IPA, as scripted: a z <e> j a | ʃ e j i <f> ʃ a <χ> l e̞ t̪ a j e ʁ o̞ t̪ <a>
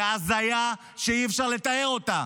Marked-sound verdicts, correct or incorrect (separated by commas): incorrect, correct, incorrect, correct